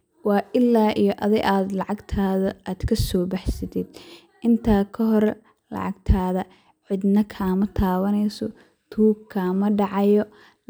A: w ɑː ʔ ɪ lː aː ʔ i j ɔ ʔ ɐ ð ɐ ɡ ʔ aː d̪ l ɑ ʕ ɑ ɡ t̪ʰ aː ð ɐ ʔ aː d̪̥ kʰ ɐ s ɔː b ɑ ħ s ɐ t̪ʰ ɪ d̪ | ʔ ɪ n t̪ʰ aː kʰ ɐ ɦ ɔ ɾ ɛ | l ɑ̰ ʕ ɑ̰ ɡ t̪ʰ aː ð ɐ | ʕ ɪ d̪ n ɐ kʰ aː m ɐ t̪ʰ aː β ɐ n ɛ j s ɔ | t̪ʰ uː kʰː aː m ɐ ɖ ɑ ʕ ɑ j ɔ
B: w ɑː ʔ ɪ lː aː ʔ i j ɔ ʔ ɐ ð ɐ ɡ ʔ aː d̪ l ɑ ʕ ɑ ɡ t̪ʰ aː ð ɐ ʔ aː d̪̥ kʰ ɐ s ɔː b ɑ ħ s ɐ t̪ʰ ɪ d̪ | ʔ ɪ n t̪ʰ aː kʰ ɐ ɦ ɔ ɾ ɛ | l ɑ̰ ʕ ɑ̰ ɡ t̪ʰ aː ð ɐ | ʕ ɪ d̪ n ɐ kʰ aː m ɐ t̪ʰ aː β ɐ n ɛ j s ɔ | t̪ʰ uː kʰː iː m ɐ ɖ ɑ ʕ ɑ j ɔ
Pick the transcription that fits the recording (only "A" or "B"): A